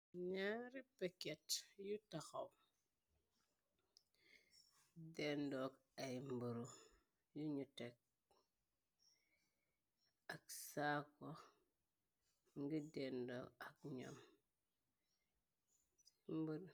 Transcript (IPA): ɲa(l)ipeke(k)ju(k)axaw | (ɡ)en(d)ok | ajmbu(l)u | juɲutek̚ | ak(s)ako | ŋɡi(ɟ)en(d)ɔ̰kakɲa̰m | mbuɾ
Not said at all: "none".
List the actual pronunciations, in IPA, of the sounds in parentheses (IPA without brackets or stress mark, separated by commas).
ɾ, t, t, d, d, ɾ, s, d, d